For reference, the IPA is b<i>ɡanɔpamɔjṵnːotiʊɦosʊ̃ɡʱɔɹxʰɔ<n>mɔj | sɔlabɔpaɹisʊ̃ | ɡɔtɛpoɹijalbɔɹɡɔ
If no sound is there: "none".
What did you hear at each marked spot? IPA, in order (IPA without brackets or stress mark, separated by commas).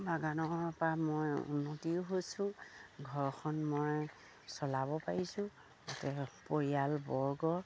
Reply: a, n